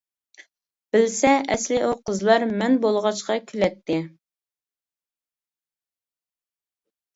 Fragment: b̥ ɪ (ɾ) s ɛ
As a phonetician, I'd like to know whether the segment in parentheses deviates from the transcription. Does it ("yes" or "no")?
yes